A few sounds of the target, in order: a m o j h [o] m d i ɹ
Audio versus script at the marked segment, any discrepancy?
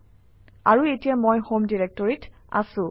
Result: no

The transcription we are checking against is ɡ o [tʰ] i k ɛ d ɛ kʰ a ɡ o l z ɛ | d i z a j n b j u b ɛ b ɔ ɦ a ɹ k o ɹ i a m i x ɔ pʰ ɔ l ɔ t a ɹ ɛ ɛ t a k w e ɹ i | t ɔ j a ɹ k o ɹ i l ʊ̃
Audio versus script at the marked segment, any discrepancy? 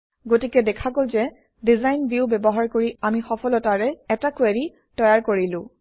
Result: yes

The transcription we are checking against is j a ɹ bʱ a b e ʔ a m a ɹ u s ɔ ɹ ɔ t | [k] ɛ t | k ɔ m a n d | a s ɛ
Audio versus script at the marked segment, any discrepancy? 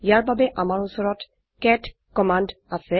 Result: no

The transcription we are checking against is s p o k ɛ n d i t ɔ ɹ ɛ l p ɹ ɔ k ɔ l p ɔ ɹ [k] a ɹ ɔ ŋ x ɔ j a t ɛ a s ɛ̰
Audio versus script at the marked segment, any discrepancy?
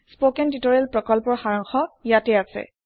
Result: yes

